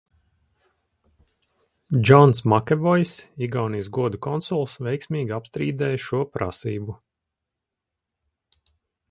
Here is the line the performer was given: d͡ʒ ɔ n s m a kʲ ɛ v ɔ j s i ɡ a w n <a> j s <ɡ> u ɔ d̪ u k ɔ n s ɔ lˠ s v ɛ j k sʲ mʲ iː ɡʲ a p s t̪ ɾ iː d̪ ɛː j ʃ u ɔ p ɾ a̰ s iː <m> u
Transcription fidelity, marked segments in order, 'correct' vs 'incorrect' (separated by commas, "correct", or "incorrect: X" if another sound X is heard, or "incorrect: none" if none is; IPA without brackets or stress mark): incorrect: i, correct, incorrect: b